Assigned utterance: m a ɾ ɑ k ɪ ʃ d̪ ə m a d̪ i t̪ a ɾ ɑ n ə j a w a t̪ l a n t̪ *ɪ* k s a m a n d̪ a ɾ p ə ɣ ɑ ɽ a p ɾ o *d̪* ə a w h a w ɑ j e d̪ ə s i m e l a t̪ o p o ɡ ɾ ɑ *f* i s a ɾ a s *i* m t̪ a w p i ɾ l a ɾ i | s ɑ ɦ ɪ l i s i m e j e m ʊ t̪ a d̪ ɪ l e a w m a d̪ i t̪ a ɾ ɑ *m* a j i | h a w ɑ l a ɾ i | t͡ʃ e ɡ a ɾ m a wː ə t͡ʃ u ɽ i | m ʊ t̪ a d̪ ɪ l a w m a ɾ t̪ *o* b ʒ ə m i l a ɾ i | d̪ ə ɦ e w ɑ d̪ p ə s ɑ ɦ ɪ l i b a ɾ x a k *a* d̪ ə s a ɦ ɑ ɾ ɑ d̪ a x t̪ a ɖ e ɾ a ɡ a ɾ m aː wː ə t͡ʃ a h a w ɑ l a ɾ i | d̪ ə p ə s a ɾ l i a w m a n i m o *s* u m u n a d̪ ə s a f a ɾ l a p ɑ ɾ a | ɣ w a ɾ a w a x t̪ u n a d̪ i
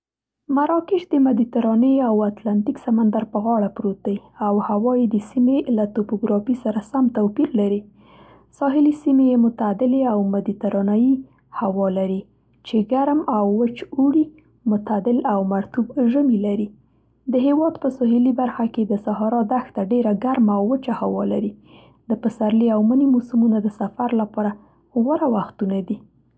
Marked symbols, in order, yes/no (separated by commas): no, no, yes, no, no, no, no, yes